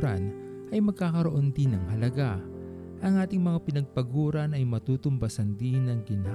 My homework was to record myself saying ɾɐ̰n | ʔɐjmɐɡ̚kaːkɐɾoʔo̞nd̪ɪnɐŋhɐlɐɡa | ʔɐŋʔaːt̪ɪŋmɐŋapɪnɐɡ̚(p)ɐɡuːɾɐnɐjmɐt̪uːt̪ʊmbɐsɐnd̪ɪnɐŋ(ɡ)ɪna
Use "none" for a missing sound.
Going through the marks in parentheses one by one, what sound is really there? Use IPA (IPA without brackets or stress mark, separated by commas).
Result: p, ɡ